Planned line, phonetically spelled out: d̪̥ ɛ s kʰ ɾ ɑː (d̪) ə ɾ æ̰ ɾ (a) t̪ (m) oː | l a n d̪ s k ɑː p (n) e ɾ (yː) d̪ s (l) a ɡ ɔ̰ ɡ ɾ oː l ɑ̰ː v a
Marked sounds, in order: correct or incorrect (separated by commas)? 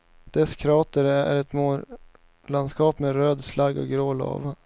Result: incorrect, incorrect, correct, incorrect, incorrect, correct